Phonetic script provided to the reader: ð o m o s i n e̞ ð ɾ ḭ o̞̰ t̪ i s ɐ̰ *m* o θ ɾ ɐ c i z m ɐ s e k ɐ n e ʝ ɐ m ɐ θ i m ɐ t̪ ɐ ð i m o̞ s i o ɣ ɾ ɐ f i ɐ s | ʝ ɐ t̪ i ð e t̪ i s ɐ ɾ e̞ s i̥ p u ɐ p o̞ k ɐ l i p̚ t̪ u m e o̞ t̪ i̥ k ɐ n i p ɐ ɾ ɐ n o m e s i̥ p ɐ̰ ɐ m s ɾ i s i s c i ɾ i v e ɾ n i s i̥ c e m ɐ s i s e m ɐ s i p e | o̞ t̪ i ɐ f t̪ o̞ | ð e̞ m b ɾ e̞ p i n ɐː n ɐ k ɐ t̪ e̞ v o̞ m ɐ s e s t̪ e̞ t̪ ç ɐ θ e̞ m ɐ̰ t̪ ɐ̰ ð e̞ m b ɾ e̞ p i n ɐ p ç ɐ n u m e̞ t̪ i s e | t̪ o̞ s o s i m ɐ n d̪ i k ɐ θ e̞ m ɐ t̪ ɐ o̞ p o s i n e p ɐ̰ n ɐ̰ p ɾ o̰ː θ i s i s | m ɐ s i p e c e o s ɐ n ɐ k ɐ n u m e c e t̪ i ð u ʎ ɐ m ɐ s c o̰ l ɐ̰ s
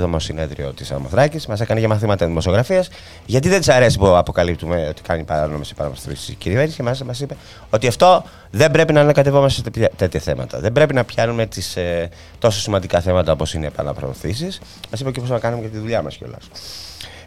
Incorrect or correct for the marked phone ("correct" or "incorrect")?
correct